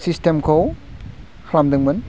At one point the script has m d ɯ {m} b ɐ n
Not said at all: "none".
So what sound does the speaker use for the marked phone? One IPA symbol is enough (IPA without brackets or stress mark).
ŋ